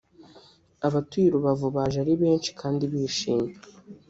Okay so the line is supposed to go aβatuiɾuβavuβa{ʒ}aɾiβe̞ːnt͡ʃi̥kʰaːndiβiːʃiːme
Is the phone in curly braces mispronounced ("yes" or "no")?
no